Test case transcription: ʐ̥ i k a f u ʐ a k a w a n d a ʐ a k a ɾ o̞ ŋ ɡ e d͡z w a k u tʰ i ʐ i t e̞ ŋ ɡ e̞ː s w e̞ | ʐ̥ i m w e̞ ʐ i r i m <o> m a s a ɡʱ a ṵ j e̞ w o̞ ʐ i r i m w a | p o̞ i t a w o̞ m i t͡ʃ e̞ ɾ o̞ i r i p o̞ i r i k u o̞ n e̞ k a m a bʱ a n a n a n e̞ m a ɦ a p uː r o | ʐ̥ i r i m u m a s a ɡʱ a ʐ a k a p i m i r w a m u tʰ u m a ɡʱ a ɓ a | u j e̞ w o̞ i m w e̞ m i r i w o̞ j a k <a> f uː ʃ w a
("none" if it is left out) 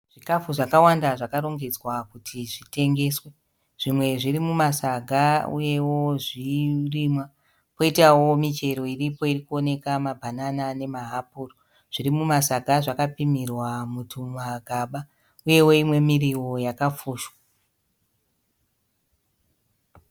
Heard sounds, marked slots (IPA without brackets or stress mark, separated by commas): u, a